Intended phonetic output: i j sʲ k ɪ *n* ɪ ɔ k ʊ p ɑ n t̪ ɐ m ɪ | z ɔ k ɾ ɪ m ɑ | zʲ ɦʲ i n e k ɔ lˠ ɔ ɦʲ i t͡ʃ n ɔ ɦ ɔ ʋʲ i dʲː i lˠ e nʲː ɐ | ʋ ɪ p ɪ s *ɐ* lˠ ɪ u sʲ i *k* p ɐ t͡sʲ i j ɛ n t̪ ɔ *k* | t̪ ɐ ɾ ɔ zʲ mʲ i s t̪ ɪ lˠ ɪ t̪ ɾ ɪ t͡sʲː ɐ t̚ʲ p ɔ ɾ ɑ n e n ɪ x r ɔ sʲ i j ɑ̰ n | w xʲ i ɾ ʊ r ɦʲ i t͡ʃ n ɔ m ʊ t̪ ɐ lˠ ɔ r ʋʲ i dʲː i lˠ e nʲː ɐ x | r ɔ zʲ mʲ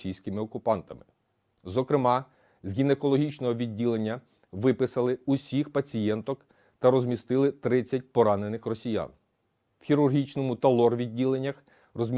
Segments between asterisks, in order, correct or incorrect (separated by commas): incorrect, correct, incorrect, correct